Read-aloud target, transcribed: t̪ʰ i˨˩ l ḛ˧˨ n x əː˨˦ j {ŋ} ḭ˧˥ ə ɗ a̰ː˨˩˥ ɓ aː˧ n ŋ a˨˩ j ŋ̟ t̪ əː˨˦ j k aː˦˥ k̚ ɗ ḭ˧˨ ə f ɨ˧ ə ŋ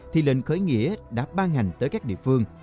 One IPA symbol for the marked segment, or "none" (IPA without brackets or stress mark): ŋ